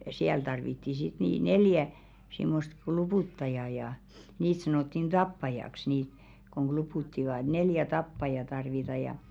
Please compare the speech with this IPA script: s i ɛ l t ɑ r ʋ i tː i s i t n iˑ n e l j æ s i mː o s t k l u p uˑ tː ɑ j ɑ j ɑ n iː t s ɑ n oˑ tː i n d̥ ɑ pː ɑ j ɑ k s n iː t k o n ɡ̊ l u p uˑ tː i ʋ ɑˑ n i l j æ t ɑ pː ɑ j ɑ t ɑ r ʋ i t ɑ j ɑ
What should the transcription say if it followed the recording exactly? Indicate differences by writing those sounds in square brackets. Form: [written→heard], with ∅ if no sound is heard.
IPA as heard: s i [ɛ→æ] l t ɑ r ʋ i tː i s i t n iˑ n e l j æ s i mː o s t k l u p uˑ tː ɑ j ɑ j ɑ n iː t s ɑ n oˑ tː i n d̥ ɑ pː ɑ j ɑ k s n iː t k o [n→ŋ] ɡ̊ l u p uˑ tː i ʋ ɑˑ n [i→e] l j æ t ɑ pː ɑ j ɑ t ɑ r ʋ i t ɑ j ɑ